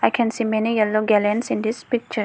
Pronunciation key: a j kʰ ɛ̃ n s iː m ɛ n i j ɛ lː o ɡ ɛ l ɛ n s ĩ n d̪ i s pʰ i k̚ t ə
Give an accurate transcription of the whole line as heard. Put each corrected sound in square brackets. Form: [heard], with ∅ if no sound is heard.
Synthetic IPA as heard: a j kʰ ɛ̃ n s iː m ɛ n i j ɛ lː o ɡ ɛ l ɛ n s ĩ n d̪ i s [p] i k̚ [t͡ʃ] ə